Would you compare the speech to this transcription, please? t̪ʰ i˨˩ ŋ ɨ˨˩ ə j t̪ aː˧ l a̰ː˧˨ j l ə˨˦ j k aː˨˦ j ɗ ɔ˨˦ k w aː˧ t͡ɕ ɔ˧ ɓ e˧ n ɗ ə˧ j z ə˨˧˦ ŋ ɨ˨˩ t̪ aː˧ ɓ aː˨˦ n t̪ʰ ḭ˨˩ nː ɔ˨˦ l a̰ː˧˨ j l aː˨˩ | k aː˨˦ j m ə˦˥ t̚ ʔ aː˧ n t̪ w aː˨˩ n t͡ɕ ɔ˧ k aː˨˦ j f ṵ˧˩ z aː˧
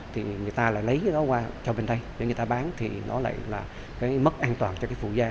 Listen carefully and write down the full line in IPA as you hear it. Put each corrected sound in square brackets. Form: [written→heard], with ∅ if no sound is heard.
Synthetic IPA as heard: t̪ʰ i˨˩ ŋ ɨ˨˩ ə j t̪ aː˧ l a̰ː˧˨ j l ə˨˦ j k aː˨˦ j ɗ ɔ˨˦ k w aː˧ t͡ɕ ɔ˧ ɓ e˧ n ɗ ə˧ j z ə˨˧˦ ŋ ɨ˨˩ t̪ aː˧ ɓ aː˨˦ n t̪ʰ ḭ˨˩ [nː→n] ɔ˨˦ l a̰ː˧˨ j l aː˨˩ | k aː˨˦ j m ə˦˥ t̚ ʔ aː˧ n t̪ w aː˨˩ n t͡ɕ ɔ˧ k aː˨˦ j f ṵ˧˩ z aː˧